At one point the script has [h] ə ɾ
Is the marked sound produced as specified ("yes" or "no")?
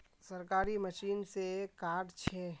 no